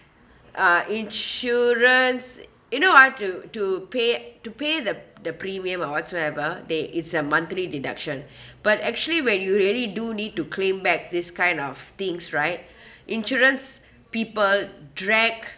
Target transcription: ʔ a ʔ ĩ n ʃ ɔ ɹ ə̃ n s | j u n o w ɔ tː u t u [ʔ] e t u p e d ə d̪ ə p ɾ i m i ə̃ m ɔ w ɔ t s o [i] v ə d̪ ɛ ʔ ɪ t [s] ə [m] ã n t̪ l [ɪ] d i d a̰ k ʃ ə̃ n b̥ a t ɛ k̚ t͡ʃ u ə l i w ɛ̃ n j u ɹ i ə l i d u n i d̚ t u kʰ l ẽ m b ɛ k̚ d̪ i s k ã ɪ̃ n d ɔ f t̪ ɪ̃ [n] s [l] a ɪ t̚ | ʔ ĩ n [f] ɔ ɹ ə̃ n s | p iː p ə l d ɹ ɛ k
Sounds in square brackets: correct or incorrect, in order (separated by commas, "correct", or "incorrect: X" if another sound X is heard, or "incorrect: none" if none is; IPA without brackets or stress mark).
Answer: incorrect: p, incorrect: ɛ, correct, correct, incorrect: i, incorrect: ŋ, incorrect: ɹ, incorrect: ʃ